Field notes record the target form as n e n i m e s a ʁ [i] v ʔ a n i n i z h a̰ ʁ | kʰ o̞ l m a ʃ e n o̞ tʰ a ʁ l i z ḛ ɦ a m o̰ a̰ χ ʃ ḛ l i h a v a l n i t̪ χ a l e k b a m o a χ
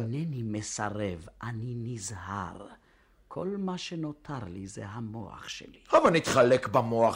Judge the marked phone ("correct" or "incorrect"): incorrect